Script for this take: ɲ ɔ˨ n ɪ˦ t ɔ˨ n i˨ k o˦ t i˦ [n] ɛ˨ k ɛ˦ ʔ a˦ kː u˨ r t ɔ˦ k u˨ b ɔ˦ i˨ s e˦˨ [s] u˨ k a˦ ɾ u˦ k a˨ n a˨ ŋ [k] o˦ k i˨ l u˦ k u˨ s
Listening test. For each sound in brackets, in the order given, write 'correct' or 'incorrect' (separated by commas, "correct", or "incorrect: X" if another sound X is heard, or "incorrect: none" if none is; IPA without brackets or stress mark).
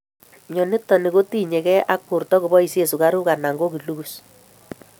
incorrect: ɲ, correct, incorrect: ɡ